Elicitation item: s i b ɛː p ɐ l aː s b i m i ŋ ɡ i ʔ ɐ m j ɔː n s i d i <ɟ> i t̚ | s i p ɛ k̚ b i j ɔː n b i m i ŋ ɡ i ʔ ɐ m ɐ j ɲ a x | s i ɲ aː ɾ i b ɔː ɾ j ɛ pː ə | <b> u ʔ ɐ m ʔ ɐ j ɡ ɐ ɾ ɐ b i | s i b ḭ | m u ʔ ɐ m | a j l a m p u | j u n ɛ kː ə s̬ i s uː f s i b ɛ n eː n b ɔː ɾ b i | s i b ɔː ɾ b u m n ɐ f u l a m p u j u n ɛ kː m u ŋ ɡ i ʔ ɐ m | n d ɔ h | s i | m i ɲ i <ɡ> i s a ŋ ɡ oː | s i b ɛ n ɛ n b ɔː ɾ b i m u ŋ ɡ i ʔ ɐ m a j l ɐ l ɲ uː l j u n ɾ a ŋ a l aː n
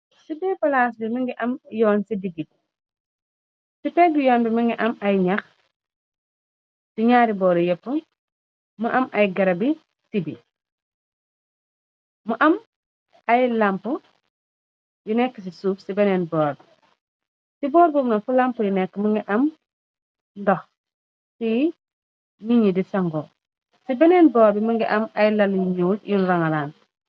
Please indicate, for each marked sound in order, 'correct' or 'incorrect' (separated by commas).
incorrect, incorrect, incorrect